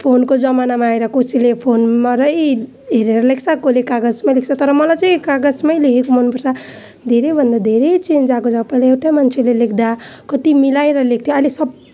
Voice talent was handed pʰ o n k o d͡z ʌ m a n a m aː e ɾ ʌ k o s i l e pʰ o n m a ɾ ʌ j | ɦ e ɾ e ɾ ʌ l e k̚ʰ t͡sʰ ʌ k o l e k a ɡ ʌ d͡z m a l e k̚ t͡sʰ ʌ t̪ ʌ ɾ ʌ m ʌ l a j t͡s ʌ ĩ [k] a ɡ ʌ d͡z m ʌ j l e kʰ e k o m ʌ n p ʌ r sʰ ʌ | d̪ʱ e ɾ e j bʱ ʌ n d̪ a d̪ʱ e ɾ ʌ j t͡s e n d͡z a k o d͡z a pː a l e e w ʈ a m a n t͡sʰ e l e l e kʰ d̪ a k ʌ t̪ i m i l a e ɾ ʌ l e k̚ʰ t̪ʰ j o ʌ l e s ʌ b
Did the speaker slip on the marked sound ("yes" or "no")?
no